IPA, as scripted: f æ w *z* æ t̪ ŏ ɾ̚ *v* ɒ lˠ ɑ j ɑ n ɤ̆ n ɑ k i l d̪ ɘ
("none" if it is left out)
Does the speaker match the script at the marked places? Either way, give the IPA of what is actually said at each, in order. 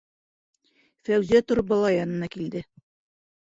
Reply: z, b

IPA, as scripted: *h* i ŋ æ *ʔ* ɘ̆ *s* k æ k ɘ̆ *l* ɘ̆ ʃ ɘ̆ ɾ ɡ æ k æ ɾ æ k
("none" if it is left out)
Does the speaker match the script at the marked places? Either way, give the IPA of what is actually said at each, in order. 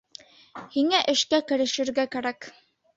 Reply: h, ʔ, ʃ, ɾ

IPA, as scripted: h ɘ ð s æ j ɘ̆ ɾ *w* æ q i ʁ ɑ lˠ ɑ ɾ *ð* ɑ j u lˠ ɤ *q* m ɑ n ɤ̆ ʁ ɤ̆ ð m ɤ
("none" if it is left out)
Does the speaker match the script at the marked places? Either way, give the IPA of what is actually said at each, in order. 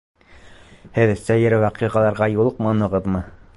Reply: w, ʁ, q

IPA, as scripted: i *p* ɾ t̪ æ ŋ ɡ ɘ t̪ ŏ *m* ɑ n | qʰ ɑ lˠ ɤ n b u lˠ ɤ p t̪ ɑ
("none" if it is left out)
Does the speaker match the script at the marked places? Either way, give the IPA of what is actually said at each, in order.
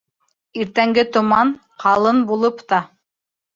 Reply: none, m

